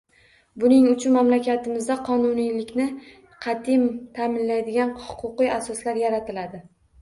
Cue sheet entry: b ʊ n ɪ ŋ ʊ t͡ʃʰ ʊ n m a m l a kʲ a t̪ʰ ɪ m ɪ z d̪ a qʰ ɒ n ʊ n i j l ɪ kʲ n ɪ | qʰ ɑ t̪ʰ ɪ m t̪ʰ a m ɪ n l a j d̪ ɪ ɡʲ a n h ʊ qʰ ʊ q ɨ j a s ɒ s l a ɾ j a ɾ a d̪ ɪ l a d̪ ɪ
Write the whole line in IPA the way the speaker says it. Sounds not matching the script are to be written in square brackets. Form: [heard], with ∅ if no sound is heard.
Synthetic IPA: b ʊ n ɪ ŋ ʊ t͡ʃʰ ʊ n m a m l a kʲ a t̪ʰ ɪ m ɪ z d̪ a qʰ ɒ n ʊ n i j l ɪ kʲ n ɪ | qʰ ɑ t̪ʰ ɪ m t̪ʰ a m ɪ n l a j d̪ ɪ ɡʲ a n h ʊ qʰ ʊ q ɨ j a s ɒ s l a ɾ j a ɾ a [t̪] ɪ l a d̪ ɪ